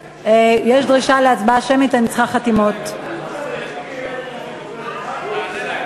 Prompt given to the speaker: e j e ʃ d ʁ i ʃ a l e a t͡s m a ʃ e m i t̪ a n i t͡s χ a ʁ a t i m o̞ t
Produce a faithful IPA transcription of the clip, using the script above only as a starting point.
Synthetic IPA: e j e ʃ d ʁ i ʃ a l e a t͡s b a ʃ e m i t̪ a n i t͡s χ a χ a t i m o̞ t